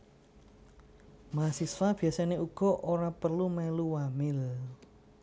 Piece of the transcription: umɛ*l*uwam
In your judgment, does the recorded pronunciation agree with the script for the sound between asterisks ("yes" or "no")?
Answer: yes